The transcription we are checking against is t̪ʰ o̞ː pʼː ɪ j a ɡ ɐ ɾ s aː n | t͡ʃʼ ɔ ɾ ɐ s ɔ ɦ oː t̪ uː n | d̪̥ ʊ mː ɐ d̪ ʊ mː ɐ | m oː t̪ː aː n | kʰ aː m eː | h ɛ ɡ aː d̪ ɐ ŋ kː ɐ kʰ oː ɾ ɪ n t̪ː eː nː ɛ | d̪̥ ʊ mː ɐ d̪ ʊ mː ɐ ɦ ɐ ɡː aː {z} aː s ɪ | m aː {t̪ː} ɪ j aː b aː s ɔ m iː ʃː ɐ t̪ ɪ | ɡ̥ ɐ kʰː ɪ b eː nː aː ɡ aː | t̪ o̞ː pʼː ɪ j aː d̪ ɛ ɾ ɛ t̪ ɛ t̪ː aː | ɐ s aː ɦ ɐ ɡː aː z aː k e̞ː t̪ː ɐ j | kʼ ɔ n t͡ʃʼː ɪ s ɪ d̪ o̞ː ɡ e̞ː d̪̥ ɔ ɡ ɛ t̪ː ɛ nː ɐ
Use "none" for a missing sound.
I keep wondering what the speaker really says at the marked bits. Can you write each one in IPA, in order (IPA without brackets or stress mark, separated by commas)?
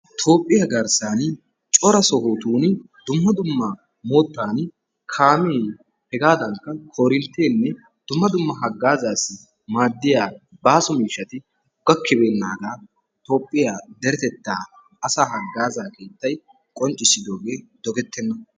z, d̪ː